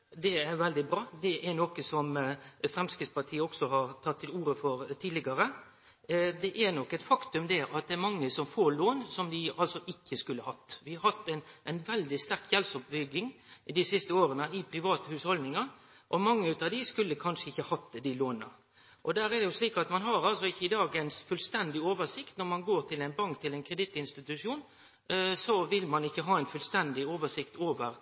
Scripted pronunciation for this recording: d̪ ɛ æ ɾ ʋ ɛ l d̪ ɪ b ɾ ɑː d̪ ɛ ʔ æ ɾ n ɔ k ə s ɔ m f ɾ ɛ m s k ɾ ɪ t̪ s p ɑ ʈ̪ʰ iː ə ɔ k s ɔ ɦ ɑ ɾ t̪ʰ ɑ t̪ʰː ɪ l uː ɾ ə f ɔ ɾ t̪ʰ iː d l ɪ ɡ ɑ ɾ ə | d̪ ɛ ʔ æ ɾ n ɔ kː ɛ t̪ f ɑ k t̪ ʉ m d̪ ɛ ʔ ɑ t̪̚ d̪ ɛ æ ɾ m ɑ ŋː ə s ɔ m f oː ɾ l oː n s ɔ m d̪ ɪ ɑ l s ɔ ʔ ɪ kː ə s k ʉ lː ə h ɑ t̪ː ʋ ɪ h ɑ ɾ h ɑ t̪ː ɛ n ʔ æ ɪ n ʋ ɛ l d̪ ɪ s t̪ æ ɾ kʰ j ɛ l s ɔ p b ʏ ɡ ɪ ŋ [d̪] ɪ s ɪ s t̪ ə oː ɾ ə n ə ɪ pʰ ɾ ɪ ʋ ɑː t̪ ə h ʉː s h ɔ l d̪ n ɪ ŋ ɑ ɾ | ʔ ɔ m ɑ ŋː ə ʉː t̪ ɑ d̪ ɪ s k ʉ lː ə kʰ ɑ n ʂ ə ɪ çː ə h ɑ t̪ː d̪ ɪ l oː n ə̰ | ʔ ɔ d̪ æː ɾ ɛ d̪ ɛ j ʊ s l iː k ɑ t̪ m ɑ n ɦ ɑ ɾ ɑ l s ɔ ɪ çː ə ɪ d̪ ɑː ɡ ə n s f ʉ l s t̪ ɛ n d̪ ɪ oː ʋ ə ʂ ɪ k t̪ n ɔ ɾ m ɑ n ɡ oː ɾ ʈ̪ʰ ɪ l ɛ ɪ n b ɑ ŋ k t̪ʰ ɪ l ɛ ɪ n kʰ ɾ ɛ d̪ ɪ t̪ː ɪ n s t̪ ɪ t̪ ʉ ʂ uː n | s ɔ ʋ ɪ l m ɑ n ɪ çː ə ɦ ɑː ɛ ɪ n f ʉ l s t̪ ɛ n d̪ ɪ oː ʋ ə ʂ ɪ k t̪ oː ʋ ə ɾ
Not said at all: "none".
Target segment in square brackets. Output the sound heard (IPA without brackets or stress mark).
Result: d̪